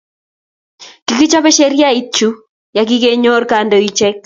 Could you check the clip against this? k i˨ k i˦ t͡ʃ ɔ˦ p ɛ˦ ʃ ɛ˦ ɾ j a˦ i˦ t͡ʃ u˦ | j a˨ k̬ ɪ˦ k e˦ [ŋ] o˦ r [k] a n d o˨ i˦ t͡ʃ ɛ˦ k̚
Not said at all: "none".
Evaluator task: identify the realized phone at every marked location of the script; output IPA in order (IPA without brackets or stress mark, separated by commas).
ɲ, k